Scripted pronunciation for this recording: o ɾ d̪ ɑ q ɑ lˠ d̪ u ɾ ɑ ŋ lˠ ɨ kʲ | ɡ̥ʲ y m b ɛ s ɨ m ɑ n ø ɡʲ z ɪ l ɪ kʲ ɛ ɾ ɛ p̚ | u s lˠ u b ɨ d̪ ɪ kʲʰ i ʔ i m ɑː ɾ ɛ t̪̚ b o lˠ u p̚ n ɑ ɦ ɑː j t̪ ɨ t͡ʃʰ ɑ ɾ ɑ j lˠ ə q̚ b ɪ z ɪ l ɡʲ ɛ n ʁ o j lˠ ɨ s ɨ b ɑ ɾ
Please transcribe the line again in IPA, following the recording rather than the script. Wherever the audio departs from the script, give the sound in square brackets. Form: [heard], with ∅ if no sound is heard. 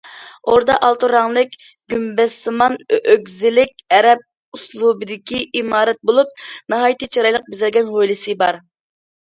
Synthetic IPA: o ɾ d̪ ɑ [ʔ] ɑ lˠ [t̪] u ɾ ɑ ŋ lˠ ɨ kʲ | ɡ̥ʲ y m b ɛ s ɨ m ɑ n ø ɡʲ z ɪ l ɪ kʲ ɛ ɾ ɛ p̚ | u s lˠ u b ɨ d̪ ɪ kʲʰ i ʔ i m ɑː ɾ ɛ t̪̚ b o lˠ u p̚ n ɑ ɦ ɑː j t̪ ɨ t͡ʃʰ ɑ ɾ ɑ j lˠ ə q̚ b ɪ z ɪ l ɡʲ ɛ n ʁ o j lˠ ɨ s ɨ b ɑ ɾ